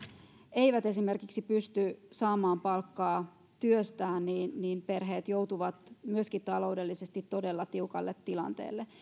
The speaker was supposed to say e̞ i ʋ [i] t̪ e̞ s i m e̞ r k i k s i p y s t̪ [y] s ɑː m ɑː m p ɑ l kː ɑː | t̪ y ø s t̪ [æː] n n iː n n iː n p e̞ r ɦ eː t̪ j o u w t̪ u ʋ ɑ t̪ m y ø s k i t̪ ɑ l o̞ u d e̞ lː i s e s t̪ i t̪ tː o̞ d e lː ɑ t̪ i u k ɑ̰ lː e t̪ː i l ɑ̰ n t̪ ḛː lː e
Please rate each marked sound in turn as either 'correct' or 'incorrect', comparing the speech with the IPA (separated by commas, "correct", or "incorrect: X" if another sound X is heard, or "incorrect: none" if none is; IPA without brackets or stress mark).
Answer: incorrect: æ, correct, correct